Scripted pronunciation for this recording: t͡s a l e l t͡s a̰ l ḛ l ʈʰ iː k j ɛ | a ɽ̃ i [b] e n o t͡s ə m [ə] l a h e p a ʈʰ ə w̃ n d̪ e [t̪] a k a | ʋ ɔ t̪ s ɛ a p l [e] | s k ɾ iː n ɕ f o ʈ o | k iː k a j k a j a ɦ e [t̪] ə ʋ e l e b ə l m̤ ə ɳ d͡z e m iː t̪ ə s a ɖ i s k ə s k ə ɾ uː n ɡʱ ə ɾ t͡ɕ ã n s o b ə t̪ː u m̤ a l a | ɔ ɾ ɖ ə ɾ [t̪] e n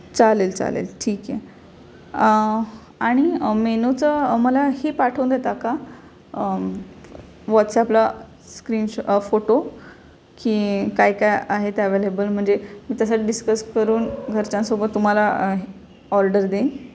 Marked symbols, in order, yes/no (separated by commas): no, yes, yes, no, yes, no